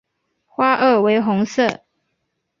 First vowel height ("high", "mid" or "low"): low